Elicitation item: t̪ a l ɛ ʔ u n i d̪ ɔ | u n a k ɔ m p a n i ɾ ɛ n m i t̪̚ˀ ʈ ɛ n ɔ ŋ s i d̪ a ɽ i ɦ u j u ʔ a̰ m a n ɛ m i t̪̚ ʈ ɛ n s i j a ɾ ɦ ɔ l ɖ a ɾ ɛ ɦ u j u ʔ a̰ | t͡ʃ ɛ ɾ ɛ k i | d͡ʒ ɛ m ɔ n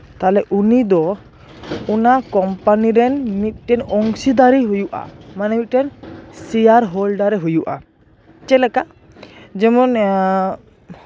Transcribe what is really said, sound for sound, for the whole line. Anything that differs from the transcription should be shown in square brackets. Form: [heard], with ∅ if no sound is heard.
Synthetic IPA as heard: t̪ a l ɛ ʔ u n i d̪ ɔ | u n a k ɔ m p a n i ɾ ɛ n m i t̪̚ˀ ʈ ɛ n ɔ ŋ s i d̪ a [ɾ] i ɦ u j u ʔ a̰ m a n ɛ m i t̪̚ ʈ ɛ n s i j a ɾ ɦ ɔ l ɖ a ɾ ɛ ɦ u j u ʔ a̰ | t͡ʃ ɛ [l] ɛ k [a] | d͡ʒ ɛ m ɔ n